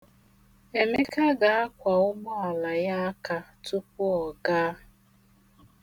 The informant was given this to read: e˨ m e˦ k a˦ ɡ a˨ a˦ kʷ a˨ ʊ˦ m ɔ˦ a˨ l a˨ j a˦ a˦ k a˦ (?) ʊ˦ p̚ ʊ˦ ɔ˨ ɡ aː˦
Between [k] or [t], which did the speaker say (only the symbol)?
t